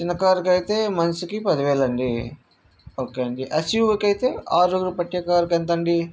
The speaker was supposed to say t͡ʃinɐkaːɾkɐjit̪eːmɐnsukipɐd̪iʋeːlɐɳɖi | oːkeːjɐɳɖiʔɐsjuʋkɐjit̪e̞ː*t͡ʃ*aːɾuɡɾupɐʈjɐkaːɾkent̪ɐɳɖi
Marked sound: incorrect: none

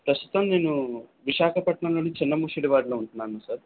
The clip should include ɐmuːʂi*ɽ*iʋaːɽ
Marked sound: correct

